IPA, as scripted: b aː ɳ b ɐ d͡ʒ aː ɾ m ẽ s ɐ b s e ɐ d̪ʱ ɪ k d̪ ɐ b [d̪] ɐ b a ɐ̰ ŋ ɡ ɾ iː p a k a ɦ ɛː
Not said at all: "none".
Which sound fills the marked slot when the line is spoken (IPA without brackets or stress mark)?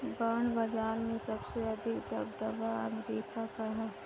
d̪